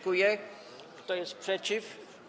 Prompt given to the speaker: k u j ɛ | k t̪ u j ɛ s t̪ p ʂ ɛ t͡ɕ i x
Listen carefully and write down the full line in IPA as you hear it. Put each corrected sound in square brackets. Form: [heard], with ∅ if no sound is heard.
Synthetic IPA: k u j ɛ | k t̪ [ɔ] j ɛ s t̪ p ʂ ɛ t͡ɕ i [f]

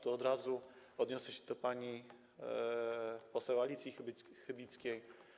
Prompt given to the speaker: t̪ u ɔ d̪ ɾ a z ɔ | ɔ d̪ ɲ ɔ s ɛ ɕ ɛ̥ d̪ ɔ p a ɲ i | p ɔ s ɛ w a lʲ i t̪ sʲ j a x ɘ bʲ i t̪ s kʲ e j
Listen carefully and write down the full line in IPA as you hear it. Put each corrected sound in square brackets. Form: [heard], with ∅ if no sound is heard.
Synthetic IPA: t̪ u ɔ d̪ ɾ a z [u] | ɔ d̪ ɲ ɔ s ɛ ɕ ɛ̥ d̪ ɔ p a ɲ i | p ɔ s ɛ w a lʲ i t̪ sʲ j [i] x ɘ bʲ i t̪ s kʲ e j

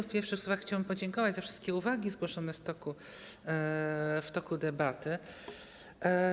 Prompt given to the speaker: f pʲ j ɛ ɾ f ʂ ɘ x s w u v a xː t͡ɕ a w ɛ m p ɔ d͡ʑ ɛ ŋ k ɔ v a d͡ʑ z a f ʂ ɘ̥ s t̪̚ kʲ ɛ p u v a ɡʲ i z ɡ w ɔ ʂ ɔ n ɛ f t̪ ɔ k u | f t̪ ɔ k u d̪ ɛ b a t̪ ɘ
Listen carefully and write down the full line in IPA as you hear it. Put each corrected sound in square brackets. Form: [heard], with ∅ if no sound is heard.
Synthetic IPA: f pʲ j ɛ ɾ f ʂ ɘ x s w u v a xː t͡ɕ a w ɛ m p ɔ d͡ʑ ɛ ŋ k ɔ v a d͡ʑ z a f ʂ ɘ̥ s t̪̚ kʲ ɛ [∅] u v a ɡʲ i z ɡ w ɔ ʂ ɔ n ɛ f t̪ ɔ k u | f t̪ ɔ k u d̪ ɛ b a t̪ ɘ

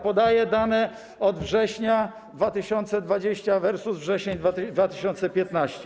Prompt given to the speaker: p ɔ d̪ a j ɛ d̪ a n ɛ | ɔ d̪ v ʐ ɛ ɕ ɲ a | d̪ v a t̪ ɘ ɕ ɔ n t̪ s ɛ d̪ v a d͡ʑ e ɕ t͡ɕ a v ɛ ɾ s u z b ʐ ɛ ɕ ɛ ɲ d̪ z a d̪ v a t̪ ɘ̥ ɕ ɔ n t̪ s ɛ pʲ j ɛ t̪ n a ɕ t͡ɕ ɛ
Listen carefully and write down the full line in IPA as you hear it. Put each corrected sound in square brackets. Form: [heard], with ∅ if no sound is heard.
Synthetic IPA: p ɔ d̪ a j ɛ d̪ a n ɛ | ɔ d̪ v ʐ ɛ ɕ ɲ a | d̪ v a t̪ ɘ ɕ ɔ n t̪ s ɛ d̪ v a d͡ʑ e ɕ t͡ɕ a v ɛ ɾ s u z [v] ʐ ɛ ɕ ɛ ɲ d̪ [v] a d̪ v a t̪ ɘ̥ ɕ ɔ n t̪ s ɛ pʲ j ɛ t̪ n a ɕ t͡ɕ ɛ

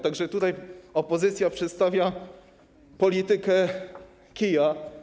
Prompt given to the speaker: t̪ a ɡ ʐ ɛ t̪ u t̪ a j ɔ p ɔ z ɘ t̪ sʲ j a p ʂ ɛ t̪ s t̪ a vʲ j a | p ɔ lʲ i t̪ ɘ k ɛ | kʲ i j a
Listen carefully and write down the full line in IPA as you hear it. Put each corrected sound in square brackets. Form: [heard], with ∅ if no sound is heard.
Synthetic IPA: t̪ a ɡ ʐ ɛ t̪ u t̪ a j ɔ p ɔ z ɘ t̪ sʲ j a p ʂ ɛ t̪ s t̪ a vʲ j a | p ɔ lʲ i t̪ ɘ k ɛ | kʲ i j a

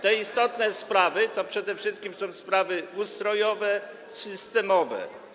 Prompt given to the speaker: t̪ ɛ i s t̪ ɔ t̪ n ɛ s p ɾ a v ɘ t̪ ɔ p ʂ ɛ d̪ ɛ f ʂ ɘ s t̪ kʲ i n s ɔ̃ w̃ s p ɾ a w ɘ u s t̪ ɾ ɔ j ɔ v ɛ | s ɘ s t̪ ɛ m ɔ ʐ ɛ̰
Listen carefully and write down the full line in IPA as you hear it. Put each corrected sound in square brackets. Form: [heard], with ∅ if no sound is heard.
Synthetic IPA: t̪ ɛ i s t̪ ɔ t̪ n ɛ s p ɾ a v ɘ t̪ ɔ p ʂ ɛ d̪ ɛ f ʂ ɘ s t̪ kʲ i [m] s ɔ̃ w̃ s p ɾ a [v] ɘ u s t̪ ɾ ɔ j ɔ v ɛ | s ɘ s t̪ ɛ m ɔ [v] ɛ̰

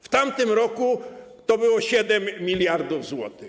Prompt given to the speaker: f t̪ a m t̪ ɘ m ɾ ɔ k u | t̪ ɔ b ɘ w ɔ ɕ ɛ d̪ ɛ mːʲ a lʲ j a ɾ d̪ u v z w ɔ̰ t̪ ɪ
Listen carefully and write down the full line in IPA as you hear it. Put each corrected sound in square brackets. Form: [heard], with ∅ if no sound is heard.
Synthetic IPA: f t̪ a m t̪ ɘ m ɾ ɔ k u | t̪ ɔ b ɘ w ɔ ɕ ɛ d̪ ɛ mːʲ [i] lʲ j a ɾ d̪ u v z w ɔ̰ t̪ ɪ

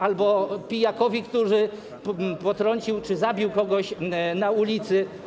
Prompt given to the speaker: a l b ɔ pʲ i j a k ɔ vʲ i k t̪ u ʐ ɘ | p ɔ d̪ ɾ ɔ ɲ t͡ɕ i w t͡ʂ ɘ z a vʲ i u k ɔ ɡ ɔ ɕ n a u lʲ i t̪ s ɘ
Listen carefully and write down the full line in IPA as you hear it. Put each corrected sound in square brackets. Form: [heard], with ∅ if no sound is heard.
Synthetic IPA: a l b ɔ pʲ i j a k ɔ vʲ i k t̪ u ʐ ɘ | p ɔ [t̪] ɾ ɔ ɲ t͡ɕ i w t͡ʂ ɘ z a [bʲ] i [w] k ɔ ɡ ɔ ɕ n a u lʲ i t̪ s ɘ

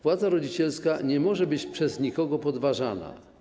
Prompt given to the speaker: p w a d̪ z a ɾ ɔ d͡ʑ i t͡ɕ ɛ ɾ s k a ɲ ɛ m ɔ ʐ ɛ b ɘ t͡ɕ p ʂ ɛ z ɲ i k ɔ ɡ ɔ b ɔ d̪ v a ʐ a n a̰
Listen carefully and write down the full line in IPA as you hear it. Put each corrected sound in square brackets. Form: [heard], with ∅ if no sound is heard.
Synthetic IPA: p w a d̪ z a ɾ ɔ d͡ʑ i t͡ɕ ɛ [l] s k a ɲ ɛ m ɔ ʐ ɛ b ɘ t͡ɕ p ʂ ɛ z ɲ i k ɔ ɡ ɔ [p] ɔ d̪ v a ʐ a n a̰

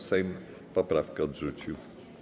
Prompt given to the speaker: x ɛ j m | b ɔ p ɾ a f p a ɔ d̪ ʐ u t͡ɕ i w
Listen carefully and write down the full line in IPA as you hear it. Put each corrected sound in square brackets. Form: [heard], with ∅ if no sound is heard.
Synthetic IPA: [s] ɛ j m | [p] ɔ p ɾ a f [k] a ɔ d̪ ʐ u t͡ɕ i w

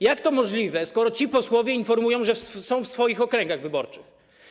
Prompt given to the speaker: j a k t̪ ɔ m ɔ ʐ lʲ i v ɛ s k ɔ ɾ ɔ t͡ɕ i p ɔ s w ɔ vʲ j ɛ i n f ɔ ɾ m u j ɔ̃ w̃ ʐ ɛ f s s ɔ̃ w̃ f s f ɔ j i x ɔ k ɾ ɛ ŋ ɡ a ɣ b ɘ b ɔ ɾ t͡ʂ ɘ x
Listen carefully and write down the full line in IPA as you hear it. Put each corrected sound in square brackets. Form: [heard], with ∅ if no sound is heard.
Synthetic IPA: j a k t̪ ɔ m ɔ ʐ lʲ i v ɛ s k ɔ ɾ ɔ t͡ɕ i p ɔ s w ɔ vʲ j ɛ i n f ɔ ɾ m u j ɔ̃ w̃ ʐ ɛ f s s ɔ̃ w̃ f s f ɔ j i x ɔ k ɾ ɛ ŋ ɡ a ɣ [v] ɘ b ɔ ɾ t͡ʂ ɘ x

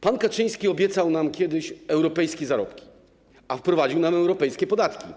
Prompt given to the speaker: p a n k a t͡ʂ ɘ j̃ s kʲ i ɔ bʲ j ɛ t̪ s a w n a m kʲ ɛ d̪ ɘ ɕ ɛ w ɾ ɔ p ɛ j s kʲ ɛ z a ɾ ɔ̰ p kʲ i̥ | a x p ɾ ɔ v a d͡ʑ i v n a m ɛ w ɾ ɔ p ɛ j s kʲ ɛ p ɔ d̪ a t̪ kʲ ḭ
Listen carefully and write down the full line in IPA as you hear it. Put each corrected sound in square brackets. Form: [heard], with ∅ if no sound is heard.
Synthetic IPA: p a n k a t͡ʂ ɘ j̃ s kʲ i ɔ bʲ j ɛ t̪ s a w n a m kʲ ɛ d̪ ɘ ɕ ɛ w ɾ ɔ p ɛ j s kʲ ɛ z a ɾ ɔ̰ p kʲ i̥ | a [f] p ɾ ɔ v a d͡ʑ i [w] n a m ɛ w ɾ ɔ p ɛ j s kʲ ɛ p ɔ d̪ a t̪ kʲ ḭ

